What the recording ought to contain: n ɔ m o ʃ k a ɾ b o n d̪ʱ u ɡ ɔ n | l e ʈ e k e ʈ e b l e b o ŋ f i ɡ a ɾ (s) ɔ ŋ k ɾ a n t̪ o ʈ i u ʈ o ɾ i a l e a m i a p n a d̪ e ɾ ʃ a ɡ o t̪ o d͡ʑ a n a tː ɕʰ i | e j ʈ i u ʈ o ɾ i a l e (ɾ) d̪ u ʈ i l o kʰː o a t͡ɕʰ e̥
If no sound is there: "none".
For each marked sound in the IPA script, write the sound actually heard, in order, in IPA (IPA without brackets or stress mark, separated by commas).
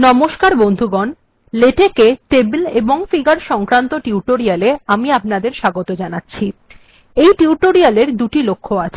ʃ, ɾ